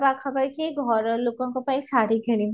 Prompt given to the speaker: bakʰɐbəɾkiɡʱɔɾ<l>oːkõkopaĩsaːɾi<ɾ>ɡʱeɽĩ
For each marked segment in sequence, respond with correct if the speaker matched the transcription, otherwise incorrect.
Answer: correct, incorrect: none

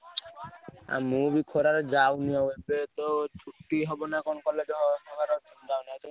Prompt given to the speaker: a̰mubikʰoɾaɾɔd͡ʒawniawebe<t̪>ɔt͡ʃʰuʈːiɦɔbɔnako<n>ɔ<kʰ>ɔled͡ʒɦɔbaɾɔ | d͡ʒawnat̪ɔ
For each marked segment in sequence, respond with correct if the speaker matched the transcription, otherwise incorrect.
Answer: correct, correct, incorrect: k

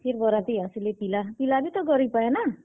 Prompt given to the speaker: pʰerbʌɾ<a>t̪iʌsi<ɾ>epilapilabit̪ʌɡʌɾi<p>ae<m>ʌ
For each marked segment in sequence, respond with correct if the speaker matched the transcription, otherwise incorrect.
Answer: correct, incorrect: l, correct, incorrect: n

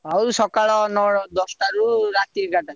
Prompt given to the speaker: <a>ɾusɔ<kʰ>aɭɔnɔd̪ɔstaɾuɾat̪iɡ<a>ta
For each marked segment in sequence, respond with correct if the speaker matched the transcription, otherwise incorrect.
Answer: correct, incorrect: k, correct

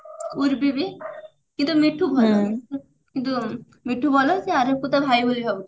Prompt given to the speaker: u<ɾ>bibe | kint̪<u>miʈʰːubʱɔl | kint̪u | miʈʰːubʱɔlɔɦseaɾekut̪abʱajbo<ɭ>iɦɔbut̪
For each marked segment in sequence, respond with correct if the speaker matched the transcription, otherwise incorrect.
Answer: correct, correct, incorrect: l

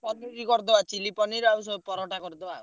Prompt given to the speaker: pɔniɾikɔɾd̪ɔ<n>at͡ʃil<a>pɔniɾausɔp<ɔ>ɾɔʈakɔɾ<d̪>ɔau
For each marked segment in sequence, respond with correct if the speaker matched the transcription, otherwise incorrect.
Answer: incorrect: none, incorrect: i, correct, correct

